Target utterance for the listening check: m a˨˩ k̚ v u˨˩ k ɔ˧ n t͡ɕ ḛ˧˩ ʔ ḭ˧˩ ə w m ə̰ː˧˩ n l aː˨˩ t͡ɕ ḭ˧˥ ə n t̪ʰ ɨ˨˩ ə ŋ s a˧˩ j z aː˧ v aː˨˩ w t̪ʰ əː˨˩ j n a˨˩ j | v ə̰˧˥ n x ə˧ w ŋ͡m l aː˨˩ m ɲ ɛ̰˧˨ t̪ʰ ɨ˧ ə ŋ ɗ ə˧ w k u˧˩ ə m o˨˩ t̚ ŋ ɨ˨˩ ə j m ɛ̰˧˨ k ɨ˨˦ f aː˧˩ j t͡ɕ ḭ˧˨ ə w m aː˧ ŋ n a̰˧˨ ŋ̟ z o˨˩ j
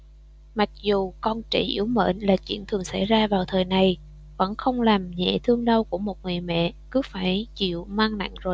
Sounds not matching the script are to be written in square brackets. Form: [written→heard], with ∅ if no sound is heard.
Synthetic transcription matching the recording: m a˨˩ k̚ [v→z] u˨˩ k ɔ˧ n t͡ɕ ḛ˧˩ ʔ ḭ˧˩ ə w m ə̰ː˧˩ n l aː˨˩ t͡ɕ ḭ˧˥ ə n t̪ʰ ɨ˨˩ ə ŋ s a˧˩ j z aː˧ v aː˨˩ w t̪ʰ əː˨˩ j n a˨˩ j | v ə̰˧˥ n x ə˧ w ŋ͡m l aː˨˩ m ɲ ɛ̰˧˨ t̪ʰ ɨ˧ ə ŋ ɗ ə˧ w k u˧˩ ə m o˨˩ t̚ ŋ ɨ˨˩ ə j m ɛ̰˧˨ k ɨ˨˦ f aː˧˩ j t͡ɕ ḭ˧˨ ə w m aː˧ ŋ n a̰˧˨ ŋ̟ z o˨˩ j